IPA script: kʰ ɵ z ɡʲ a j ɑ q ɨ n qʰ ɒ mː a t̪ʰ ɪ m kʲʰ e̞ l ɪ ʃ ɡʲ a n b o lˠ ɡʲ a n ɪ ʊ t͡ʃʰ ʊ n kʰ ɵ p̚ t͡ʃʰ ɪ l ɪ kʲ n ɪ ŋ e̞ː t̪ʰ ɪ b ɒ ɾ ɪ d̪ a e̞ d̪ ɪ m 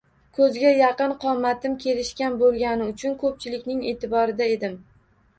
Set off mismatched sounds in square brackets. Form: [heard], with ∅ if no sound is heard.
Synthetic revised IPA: kʰ ɵ z ɡʲ a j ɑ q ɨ n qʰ ɒ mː a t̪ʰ ɪ m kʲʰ e̞ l ɪ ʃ [kʲ] a n b o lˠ ɡʲ a n ɪ ʊ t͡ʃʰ ʊ n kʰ ɵ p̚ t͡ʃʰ ɪ l ɪ kʲ n ɪ ŋ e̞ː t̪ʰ ɪ b ɒ ɾ ɪ d̪ a e̞ d̪ ɪ m